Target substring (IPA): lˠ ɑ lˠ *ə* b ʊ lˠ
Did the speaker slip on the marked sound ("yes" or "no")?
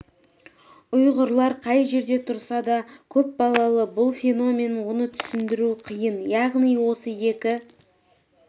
no